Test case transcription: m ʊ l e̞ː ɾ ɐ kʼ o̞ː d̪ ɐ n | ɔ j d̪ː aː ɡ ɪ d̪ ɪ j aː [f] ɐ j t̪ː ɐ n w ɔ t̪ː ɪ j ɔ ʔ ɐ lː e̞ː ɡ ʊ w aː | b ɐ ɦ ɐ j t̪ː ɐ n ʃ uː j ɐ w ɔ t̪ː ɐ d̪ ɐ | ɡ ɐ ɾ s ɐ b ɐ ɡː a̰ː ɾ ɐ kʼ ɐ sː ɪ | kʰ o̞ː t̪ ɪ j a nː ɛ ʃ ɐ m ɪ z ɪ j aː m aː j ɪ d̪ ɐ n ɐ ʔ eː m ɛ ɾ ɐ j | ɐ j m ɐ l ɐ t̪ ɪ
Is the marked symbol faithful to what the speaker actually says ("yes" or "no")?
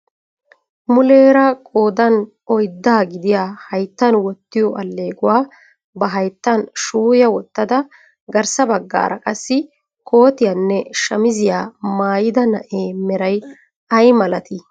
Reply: no